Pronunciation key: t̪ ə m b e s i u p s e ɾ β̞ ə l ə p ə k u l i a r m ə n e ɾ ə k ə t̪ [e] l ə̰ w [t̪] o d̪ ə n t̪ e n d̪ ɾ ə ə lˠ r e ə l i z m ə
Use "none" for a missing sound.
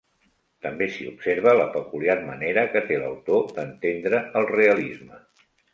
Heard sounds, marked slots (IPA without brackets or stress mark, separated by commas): e, t̪